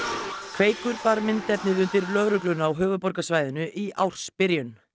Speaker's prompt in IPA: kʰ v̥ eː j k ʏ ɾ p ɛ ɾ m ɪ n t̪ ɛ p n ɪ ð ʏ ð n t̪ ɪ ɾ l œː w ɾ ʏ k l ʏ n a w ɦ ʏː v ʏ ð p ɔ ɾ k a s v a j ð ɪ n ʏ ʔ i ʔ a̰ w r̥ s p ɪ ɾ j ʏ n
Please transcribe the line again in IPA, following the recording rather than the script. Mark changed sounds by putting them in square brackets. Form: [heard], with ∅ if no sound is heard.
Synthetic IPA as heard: kʰ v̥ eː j k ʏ ɾ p [a] ɾ m ɪ n t̪ ɛ p n ɪ ð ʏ [∅] n t̪ ɪ ɾ l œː [ɣ] ɾ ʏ k l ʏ n a w ɦ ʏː v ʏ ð p ɔ ɾ k a s v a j ð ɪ n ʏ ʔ i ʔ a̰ w r̥ s p ɪ ɾ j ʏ n